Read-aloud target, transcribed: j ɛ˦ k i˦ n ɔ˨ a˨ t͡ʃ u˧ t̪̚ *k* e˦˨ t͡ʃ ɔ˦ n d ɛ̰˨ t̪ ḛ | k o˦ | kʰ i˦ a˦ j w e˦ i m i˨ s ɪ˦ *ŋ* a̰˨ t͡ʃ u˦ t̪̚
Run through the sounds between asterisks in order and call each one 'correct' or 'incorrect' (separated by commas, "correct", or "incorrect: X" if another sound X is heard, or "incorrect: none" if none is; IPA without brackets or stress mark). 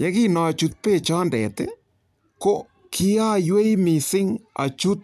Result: incorrect: p, correct